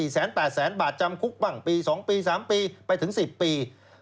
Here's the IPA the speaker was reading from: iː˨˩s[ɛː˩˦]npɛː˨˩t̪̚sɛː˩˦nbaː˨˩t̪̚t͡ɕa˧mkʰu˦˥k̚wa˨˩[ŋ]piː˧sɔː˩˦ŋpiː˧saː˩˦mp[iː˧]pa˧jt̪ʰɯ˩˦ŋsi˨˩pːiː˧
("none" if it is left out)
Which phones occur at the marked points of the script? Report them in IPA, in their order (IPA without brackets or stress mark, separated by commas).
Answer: ɛː˩˦, ŋ, iː˧